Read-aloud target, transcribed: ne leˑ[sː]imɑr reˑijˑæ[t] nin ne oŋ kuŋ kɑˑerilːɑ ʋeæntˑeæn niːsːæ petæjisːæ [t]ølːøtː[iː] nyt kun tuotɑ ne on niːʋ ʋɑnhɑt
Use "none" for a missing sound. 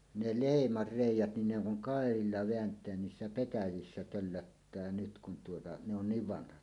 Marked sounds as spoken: none, t, t, æː

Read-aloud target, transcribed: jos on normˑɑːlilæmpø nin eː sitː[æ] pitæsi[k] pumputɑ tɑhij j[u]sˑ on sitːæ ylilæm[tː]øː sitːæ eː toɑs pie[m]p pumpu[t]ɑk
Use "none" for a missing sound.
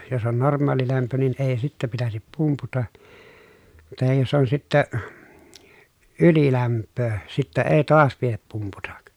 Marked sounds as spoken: æ, p, o, pː, none, t

